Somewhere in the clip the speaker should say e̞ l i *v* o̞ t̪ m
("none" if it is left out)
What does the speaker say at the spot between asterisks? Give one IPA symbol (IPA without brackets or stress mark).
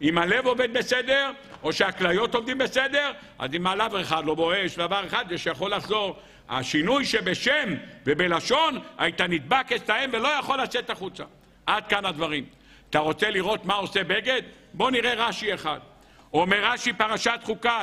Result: ʁ